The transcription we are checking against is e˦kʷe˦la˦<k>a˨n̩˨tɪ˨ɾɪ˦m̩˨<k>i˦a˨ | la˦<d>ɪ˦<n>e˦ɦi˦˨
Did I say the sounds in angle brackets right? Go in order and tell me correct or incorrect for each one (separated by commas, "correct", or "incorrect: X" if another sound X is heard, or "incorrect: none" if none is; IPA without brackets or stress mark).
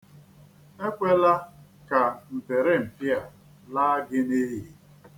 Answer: correct, incorrect: p, incorrect: ɡ, correct